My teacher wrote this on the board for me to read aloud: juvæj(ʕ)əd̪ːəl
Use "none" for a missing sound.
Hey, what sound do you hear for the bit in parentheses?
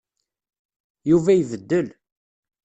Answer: v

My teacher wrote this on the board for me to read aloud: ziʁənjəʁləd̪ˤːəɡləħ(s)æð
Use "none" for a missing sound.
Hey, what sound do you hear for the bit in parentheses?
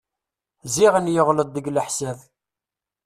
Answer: s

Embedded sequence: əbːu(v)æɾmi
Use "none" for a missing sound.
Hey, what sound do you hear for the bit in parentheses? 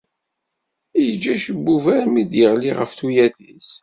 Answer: v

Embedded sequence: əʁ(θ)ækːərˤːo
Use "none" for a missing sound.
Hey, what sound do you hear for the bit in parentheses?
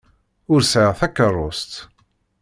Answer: θ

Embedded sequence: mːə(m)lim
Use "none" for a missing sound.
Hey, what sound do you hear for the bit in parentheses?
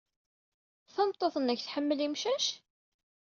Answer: none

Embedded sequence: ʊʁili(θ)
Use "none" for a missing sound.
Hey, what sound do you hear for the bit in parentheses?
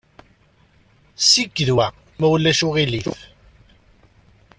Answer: θ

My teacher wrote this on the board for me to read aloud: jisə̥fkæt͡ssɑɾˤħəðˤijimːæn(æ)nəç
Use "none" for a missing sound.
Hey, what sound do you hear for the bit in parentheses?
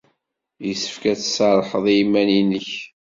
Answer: i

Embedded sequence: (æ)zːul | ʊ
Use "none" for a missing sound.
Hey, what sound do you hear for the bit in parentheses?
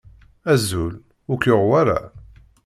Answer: æ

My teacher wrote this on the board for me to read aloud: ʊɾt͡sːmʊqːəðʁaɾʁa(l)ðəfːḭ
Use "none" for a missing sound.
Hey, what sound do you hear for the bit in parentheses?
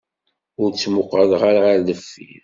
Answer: ɾ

